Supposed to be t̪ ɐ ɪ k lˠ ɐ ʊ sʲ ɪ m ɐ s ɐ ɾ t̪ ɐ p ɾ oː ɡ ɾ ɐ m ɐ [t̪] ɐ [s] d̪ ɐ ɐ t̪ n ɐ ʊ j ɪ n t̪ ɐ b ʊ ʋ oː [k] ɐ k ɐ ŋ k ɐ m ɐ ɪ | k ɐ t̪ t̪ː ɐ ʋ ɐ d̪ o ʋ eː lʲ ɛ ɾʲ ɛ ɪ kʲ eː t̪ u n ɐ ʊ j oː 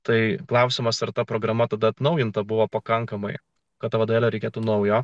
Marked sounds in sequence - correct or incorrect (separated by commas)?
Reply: correct, incorrect, incorrect